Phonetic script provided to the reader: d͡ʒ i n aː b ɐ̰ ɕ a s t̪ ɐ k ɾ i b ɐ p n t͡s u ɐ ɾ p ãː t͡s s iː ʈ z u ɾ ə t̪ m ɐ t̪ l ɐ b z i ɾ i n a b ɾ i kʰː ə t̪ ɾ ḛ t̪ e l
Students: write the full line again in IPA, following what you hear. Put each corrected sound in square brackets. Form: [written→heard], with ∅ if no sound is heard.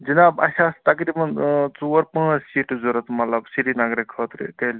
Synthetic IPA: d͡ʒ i n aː b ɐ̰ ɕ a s t̪ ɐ k ɾ i b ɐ [p→∅] n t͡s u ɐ ɾ p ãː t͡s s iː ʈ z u ɾ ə t̪ m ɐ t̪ l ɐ b [z→s] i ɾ i n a [b→ɡ] ɾ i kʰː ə t̪ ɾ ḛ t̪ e l

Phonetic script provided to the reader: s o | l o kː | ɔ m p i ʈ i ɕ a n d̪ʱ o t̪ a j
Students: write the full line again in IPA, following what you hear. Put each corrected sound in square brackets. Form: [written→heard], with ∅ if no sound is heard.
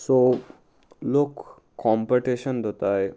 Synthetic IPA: s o | l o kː | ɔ m p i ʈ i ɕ [a→ə] n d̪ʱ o t̪ a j

